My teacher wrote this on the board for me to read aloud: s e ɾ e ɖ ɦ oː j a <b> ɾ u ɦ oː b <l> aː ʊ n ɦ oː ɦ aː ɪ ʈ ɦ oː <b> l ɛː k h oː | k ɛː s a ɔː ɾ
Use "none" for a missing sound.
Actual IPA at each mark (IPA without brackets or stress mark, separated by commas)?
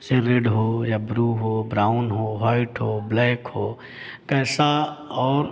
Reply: b, ɾ, b